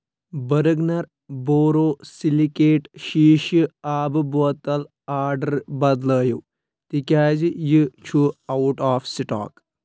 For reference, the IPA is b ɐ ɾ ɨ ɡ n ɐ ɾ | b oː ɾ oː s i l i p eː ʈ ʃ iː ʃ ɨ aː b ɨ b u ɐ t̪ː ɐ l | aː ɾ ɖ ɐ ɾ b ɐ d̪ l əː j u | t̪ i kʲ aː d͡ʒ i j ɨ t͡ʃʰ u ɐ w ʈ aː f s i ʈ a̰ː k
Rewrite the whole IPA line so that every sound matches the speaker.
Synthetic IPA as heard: b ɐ ɾ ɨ ɡ n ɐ ɾ | b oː ɾ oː s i l i k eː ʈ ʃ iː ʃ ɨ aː b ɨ b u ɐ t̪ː ɐ l | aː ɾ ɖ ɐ ɾ b ɐ d̪ l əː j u | t̪ i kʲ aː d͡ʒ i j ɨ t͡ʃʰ u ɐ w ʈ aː f s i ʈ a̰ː k